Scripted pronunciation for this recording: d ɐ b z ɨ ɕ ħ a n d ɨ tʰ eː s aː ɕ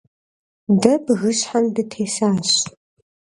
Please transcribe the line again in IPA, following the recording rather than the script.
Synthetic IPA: d ɐ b ɣ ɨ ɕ ħ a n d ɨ tʰ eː s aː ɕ